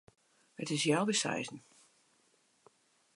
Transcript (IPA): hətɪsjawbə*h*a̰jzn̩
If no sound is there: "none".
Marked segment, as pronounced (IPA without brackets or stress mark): s